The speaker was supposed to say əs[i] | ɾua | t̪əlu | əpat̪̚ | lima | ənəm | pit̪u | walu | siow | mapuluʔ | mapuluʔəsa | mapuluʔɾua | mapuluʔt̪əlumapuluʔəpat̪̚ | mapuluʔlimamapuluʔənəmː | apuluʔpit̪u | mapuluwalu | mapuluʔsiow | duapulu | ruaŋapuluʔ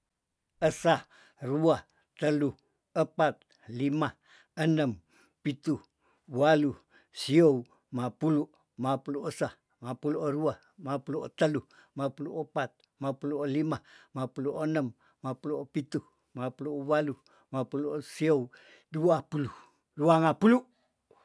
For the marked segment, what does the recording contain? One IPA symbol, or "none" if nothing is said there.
a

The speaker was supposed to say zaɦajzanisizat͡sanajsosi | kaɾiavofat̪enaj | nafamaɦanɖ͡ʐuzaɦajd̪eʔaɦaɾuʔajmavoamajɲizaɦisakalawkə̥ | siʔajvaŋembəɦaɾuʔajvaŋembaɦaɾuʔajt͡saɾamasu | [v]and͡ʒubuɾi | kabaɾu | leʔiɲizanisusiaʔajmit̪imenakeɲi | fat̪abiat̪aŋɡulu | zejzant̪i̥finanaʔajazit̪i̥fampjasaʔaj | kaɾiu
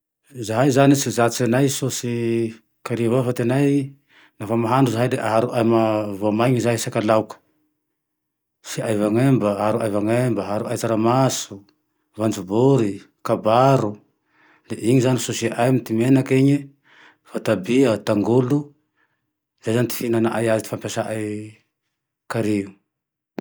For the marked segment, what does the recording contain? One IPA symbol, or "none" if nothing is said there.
v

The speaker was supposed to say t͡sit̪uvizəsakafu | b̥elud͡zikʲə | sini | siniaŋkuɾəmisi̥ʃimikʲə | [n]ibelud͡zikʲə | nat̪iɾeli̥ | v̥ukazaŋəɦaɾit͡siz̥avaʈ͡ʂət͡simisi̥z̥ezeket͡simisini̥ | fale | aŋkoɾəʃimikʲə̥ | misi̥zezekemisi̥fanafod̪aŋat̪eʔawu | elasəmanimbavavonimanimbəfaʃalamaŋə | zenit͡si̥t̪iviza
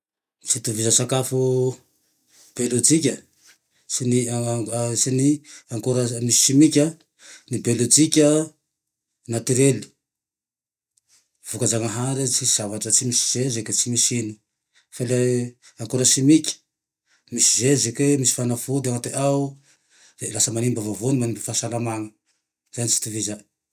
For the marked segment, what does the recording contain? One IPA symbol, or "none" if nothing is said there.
n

